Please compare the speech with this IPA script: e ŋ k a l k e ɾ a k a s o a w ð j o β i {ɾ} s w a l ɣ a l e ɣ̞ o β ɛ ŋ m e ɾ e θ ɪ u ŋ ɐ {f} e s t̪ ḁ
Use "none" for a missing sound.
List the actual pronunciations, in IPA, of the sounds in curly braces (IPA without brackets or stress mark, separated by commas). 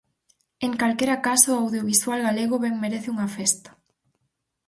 none, f